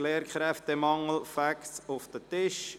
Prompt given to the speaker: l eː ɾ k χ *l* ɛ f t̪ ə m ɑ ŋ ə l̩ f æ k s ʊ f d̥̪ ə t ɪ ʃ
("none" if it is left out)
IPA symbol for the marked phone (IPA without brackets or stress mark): ɾ